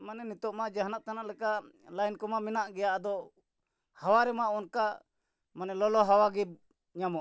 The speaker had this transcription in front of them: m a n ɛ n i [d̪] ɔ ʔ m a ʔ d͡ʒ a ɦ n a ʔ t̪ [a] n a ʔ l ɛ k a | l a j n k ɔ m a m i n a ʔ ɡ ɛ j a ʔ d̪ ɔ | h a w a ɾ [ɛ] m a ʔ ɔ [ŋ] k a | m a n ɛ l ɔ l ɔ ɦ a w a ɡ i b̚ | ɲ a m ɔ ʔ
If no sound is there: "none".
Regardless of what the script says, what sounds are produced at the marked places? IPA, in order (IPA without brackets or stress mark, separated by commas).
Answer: t̪, a, ɛ, n